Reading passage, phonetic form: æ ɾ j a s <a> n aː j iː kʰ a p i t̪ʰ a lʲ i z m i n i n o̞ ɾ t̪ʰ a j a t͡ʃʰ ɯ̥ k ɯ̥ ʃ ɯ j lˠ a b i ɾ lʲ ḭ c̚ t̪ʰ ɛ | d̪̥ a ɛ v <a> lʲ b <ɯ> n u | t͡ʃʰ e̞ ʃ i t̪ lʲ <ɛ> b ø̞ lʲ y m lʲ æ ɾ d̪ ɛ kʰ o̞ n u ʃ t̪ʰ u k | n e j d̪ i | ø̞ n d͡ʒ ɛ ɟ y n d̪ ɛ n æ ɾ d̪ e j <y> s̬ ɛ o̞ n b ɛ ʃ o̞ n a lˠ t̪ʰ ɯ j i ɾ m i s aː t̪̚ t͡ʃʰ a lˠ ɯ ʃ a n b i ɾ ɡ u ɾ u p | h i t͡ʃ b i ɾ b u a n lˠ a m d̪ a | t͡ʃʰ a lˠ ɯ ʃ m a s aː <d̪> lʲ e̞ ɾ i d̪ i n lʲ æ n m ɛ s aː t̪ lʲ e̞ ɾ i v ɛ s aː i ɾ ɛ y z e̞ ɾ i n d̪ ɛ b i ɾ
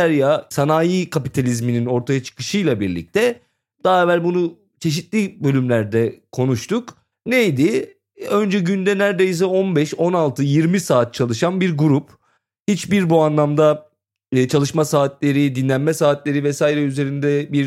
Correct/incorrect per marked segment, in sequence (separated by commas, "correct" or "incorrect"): correct, incorrect, incorrect, incorrect, incorrect, incorrect